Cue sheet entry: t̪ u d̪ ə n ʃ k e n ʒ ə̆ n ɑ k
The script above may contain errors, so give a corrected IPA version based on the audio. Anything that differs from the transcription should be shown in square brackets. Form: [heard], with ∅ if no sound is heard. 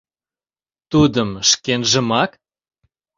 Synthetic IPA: t̪ u d̪ ə [m] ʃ k e n ʒ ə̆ [m] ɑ k